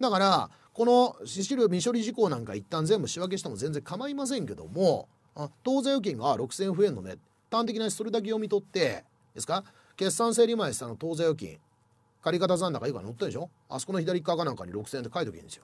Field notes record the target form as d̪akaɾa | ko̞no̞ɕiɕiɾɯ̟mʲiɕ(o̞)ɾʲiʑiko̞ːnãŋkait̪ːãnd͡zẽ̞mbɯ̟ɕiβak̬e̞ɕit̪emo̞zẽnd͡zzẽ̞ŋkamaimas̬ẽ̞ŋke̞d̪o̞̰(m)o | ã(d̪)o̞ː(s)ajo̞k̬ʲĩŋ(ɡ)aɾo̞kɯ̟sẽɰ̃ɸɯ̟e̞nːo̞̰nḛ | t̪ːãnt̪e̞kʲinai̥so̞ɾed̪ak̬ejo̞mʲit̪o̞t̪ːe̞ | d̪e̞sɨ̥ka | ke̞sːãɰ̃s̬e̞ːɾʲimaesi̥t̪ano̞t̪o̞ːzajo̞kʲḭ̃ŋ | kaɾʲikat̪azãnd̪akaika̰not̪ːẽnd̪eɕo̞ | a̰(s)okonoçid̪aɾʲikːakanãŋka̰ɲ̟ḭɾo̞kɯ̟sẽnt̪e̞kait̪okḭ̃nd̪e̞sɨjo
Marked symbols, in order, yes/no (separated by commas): yes, yes, no, no, yes, yes